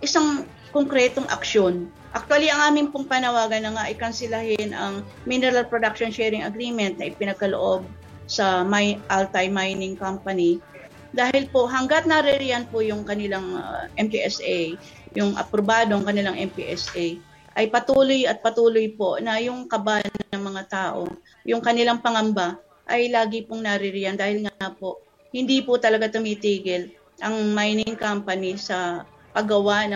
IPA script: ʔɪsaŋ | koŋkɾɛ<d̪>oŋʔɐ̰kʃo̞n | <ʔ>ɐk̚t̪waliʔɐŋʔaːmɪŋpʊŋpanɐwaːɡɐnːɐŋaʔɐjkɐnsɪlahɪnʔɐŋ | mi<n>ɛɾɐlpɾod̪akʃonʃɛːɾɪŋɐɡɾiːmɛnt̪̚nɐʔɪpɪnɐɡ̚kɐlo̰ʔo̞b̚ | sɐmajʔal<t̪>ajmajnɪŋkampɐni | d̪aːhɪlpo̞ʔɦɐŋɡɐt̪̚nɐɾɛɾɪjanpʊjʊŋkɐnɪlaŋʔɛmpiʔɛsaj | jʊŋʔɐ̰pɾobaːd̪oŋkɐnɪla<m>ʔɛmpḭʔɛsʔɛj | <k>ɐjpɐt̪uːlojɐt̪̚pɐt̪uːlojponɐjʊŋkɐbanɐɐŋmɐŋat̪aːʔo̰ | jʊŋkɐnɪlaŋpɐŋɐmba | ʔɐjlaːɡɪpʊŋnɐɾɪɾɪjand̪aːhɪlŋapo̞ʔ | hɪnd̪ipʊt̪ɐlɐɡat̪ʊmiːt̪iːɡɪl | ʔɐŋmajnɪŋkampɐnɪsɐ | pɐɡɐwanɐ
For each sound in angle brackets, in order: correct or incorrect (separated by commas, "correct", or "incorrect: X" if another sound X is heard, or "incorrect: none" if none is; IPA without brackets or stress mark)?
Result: incorrect: t̪, correct, correct, correct, incorrect: ŋ, incorrect: ʔ